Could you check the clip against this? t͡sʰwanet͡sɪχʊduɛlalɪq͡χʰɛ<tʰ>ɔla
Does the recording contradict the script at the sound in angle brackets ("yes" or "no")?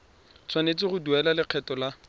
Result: yes